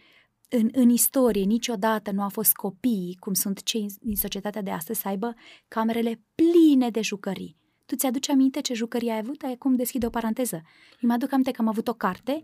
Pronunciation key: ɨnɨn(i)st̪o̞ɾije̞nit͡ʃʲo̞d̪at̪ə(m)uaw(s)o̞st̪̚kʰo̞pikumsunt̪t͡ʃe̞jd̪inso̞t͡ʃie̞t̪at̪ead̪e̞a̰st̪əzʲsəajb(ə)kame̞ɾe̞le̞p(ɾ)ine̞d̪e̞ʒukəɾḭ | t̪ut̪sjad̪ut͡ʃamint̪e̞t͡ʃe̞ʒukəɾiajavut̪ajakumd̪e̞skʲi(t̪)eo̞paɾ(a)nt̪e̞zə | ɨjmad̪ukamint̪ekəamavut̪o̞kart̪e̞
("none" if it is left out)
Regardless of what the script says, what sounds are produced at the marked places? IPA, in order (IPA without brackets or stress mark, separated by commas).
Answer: i, n, f, ə, l, d̪, a